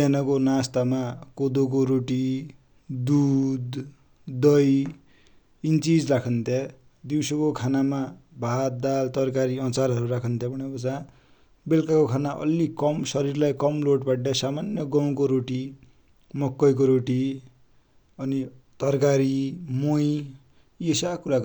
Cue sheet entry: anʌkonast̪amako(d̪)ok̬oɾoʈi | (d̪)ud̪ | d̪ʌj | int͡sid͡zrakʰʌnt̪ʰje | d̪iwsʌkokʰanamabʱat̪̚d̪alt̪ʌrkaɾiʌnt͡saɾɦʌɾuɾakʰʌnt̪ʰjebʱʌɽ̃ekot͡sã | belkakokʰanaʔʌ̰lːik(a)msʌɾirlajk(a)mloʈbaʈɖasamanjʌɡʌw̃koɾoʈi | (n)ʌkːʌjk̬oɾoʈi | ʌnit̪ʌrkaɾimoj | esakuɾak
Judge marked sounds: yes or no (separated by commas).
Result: yes, yes, no, no, no